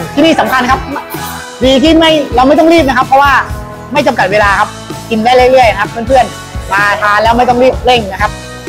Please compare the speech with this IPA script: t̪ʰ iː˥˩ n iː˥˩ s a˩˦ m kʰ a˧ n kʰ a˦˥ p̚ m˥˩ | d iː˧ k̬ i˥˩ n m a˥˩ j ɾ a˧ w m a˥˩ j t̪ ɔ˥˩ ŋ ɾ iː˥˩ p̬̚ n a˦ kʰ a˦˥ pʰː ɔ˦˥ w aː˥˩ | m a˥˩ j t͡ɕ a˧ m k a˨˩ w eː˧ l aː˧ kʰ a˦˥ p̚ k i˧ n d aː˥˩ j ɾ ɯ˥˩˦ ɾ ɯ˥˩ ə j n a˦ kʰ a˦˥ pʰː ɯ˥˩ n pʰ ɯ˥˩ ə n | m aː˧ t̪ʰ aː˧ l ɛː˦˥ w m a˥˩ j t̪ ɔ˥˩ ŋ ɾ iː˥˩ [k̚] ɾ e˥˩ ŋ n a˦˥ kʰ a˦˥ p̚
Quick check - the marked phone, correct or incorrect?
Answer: incorrect